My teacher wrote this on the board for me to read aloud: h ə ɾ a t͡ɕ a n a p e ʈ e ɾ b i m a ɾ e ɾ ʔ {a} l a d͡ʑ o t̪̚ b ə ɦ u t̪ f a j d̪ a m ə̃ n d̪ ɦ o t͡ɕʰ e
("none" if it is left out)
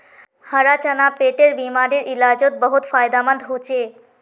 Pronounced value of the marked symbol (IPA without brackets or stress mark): i